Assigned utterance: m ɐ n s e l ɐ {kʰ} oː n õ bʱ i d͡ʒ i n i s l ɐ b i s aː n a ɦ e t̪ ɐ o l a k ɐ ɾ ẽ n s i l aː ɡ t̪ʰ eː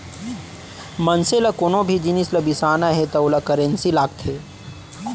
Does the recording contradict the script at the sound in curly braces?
yes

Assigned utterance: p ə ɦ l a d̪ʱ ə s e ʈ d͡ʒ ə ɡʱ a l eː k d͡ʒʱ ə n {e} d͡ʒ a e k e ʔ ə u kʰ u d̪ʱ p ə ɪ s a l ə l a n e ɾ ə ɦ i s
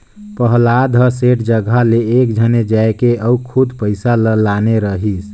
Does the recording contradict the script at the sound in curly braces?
no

